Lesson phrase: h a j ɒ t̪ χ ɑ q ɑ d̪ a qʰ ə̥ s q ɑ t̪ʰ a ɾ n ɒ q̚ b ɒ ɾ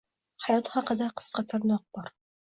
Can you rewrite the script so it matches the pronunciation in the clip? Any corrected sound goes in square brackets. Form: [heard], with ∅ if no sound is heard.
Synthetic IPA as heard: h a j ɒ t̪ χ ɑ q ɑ d̪ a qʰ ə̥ s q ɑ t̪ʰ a ɾ n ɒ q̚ b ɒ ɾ